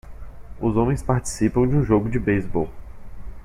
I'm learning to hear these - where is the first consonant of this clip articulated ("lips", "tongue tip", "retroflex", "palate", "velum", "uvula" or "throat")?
tongue tip